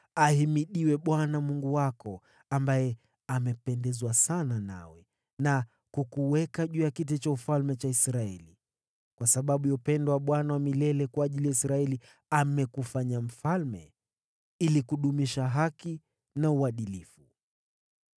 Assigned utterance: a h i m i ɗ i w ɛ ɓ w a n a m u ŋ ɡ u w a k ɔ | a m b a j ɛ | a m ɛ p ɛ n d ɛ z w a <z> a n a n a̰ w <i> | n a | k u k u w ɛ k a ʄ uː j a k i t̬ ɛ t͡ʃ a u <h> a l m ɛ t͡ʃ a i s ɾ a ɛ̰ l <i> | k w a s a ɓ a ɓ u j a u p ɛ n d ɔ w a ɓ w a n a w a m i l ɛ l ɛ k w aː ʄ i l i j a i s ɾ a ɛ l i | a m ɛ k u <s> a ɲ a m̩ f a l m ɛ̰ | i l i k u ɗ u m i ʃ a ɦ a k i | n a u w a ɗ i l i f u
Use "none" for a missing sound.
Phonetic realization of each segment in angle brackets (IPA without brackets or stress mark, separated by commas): s, ɛ, f, i, f